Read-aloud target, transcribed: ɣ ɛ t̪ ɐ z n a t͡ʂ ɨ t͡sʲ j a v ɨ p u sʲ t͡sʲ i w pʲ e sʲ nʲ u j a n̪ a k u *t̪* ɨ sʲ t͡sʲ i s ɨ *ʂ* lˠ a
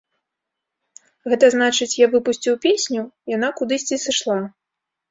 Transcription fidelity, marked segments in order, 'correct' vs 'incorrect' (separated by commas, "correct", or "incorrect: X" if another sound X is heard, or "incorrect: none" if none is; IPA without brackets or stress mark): incorrect: d̪, correct